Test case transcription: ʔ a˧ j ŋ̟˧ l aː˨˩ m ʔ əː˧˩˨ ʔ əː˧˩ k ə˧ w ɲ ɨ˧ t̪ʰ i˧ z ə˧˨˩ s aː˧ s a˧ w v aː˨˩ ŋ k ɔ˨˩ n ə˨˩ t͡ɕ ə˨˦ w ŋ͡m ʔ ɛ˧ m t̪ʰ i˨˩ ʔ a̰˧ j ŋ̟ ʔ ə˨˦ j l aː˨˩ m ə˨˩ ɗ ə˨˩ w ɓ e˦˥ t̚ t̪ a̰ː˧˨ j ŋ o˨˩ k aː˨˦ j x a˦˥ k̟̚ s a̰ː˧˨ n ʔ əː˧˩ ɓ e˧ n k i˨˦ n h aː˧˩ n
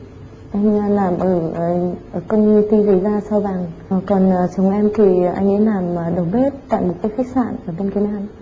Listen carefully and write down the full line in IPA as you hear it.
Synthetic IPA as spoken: ʔ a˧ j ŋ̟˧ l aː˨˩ m ʔ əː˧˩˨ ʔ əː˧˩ k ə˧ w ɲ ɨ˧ t̪ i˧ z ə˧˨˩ z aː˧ s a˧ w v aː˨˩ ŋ k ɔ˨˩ n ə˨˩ t͡ɕ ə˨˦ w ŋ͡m ʔ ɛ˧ m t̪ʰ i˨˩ ʔ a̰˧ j ŋ̟ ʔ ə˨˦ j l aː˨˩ m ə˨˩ ɗ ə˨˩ w ɓ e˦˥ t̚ t̪ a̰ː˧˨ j m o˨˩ k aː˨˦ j x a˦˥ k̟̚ s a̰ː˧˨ n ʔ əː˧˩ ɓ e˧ n k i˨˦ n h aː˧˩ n

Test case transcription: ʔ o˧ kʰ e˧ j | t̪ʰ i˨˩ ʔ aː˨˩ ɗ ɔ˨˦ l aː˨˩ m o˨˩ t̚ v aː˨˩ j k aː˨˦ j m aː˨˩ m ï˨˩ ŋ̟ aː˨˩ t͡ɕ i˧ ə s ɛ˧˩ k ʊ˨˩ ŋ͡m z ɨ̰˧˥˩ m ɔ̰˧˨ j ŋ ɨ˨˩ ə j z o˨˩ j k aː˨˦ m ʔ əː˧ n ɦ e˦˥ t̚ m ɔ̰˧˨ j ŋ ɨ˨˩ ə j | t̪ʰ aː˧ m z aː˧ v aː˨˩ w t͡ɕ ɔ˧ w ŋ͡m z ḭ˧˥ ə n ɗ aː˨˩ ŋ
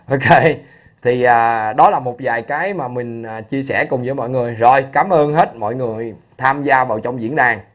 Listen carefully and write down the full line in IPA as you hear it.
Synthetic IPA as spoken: ʔ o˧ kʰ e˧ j | t̪ʰ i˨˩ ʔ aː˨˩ ɗ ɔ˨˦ l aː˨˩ m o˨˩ t̚ v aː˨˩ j k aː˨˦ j m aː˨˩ m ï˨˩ ŋ̟ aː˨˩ t͡ɕ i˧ ə s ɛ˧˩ k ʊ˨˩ ŋ͡m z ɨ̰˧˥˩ m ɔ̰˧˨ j ŋ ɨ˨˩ ə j z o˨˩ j k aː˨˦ m ʔ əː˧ n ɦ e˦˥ t̚ m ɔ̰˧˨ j ŋ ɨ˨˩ ə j | t̪ʰ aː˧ m z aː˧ v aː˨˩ w t͡ɕ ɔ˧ w ŋ͡m z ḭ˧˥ ə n ɗ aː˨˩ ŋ

